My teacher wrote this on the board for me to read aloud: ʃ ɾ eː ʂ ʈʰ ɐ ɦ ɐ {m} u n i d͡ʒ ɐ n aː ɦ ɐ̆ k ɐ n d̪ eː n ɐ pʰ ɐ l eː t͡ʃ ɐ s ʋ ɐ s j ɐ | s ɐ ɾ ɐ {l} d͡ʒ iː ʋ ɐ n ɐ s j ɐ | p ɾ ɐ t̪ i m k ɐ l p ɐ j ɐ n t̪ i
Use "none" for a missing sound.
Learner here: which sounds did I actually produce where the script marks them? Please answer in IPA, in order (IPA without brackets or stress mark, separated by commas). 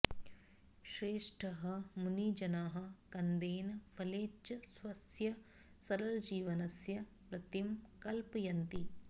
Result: m, l